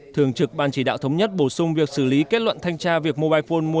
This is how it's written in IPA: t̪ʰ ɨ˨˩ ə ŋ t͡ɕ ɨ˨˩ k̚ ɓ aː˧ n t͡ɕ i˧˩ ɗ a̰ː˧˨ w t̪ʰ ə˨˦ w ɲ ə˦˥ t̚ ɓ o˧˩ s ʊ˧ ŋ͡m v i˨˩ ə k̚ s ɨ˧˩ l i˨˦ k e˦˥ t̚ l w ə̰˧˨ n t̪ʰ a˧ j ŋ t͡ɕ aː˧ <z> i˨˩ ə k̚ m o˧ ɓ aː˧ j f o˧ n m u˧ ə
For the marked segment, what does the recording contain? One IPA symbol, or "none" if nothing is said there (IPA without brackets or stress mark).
v